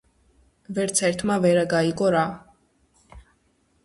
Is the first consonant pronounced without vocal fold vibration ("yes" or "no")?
no